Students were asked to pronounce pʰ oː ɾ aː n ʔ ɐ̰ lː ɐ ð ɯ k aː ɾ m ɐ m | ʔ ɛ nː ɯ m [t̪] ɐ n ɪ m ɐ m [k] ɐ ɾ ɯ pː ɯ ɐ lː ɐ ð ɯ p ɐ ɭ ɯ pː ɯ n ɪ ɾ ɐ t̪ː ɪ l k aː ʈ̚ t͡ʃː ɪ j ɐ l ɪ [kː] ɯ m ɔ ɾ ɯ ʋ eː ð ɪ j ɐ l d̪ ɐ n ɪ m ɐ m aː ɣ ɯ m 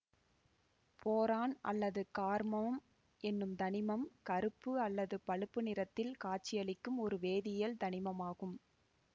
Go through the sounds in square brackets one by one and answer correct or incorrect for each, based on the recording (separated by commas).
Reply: incorrect, correct, correct